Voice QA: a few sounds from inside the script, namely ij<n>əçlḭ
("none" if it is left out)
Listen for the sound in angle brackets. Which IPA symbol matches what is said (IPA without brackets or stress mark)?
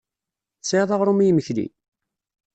m